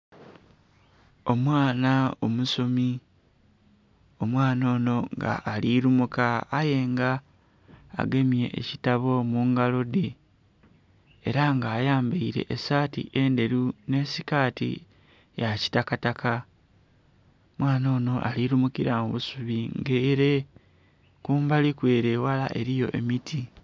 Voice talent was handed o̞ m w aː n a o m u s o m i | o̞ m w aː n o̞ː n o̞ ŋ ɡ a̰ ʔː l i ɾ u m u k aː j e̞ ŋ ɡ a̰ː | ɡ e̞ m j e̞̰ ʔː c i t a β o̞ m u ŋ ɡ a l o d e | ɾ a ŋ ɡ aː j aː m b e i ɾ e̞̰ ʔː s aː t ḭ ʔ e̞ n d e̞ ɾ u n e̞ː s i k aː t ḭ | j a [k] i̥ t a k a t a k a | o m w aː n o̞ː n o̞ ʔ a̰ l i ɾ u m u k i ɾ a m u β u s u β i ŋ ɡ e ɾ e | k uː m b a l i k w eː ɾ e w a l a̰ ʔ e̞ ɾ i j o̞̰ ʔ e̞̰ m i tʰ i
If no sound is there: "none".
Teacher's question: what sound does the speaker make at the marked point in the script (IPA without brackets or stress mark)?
c